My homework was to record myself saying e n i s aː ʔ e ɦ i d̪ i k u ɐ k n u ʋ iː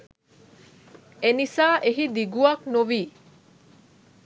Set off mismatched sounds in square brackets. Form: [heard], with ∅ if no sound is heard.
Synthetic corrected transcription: e n i s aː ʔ e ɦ i d̪ i [ɡ] u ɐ k n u ʋ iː